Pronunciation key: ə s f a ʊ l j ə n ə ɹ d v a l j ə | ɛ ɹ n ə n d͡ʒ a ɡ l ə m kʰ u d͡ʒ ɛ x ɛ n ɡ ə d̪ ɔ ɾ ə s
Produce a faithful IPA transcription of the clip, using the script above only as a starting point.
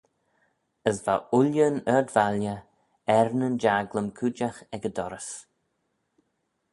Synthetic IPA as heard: ə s v a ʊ l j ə n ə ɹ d v a l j ə | ɛ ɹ n ə n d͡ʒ a ɡ l ə m kʰ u d͡ʒ a x ɛ ɡ ə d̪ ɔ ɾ ə s